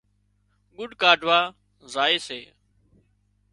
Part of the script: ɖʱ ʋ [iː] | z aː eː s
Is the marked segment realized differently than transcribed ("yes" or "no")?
yes